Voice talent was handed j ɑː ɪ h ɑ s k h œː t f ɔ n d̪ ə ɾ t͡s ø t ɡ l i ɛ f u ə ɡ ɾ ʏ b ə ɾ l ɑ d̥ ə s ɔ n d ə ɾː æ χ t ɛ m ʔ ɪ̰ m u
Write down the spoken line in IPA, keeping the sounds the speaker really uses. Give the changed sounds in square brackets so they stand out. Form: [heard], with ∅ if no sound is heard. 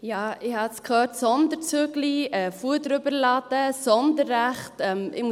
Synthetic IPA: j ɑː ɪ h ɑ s k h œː t [s] ɔ n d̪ ə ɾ t͡s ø [∅] ɡ l i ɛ f u ə [d] ɾ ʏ b ə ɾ l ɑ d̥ ə s ɔ n d ə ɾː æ χ t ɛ m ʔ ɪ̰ m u